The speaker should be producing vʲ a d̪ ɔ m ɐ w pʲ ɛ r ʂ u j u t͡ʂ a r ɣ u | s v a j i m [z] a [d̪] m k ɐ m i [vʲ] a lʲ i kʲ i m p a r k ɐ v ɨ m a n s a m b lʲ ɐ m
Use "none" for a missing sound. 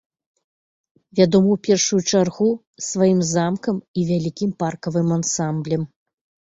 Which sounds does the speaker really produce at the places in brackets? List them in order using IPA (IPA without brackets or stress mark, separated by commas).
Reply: z, none, vʲ